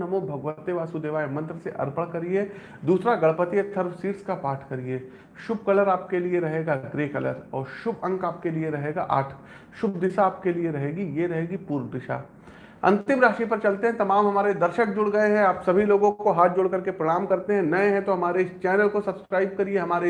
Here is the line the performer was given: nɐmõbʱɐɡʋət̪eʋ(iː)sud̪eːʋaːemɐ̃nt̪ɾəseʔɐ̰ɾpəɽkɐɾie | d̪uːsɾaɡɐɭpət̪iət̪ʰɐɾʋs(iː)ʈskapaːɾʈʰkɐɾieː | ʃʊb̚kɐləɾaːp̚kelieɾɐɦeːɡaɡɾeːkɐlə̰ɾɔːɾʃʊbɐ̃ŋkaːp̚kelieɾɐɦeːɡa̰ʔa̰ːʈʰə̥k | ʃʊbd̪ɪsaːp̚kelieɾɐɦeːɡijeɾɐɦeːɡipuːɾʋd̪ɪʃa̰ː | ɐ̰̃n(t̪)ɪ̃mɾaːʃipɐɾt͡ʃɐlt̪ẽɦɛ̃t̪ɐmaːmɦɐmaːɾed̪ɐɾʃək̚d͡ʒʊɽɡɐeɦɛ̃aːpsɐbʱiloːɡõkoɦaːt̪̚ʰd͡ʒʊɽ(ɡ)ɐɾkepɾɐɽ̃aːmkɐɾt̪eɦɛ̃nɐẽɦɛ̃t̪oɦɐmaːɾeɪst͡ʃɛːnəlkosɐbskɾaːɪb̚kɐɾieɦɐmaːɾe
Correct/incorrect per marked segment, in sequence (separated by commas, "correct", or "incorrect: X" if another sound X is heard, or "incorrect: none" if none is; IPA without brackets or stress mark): incorrect: aː, correct, correct, incorrect: k